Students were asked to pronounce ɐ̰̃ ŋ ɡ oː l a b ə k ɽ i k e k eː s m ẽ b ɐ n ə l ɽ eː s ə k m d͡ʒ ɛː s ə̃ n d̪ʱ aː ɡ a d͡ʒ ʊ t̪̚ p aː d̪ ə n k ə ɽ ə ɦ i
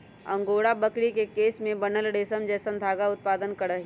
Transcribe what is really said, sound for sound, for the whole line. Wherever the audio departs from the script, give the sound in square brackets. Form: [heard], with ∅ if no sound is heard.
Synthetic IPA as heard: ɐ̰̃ ŋ ɡ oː [ɽ] a b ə k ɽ i k e k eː s m ẽ b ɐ n ə l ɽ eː s ə [∅] m d͡ʒ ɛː s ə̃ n d̪ʱ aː ɡ a [∅] ʊ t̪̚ p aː d̪ ə n k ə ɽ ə ɦ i